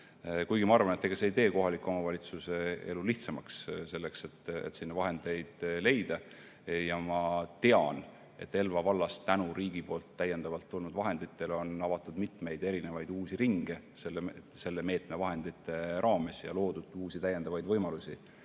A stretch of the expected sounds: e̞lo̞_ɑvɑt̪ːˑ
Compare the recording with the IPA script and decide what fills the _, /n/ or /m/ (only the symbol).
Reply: n